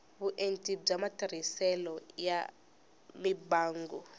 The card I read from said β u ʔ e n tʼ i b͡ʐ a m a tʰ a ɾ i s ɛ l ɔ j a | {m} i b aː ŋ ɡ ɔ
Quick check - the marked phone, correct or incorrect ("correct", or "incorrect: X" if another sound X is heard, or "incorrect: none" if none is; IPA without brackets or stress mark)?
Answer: correct